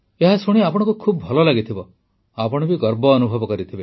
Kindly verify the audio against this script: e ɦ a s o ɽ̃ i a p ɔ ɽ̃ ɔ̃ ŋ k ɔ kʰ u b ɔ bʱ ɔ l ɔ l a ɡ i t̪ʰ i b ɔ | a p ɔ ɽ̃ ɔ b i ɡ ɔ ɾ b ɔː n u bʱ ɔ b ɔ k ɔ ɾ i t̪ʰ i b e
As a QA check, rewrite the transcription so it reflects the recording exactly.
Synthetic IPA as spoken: e ɦ a s u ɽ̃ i a p ɔ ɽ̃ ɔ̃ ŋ k u kʰ u b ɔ bʱ ɔ l ɔ l a ɡ i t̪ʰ i b ɔ | a p ɔ ɽ̃ ɔ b i ɡ ɔ ɾ b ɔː n u bʱ ɔ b ɔ k ɔ ɾ i t̪ʰ i b e